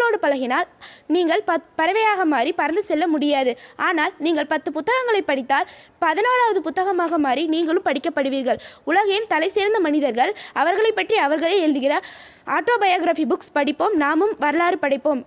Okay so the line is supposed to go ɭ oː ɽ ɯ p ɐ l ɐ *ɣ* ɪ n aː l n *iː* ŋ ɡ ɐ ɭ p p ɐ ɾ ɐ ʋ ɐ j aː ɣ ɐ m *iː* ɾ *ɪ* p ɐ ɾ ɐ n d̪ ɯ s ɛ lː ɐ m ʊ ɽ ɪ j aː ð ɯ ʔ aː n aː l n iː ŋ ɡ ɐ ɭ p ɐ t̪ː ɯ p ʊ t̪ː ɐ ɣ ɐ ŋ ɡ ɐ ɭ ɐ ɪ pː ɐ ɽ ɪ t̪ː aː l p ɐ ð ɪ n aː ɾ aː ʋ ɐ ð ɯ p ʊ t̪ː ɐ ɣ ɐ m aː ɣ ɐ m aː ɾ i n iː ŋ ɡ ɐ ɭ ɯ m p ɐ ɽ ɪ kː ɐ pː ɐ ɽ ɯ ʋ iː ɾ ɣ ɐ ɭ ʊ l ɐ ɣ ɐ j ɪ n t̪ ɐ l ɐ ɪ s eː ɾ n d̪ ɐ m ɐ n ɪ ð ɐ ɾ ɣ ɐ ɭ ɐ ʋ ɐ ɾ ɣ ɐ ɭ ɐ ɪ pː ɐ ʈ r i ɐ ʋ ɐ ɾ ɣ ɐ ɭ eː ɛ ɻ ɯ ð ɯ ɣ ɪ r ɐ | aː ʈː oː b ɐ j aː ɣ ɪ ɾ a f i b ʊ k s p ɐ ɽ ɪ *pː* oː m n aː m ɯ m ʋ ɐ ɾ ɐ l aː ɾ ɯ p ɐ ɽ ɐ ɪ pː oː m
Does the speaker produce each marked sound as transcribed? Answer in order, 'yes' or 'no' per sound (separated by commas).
yes, yes, no, no, yes